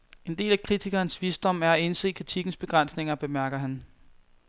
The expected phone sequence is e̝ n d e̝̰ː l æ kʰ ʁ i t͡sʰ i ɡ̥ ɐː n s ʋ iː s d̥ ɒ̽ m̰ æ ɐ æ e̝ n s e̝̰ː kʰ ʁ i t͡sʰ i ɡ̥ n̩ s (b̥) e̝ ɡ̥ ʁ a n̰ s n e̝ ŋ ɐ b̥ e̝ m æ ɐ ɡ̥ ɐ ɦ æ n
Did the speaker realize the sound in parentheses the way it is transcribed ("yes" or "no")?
yes